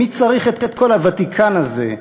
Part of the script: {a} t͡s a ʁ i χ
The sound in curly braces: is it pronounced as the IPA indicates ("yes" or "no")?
no